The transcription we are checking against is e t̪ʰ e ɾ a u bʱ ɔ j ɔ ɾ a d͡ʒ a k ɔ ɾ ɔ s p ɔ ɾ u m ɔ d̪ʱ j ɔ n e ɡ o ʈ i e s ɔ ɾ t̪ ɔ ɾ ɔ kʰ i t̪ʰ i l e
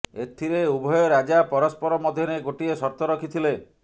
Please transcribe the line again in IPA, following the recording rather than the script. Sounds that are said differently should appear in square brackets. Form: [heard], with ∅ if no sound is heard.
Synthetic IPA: e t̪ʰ [i] ɾ [e] u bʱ ɔ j ɔ ɾ a d͡ʒ a [p] ɔ ɾ ɔ s p ɔ ɾ [ɔ] m ɔ d̪ʱ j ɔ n e ɡ o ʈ i e s ɔ ɾ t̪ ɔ ɾ ɔ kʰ i t̪ʰ i l e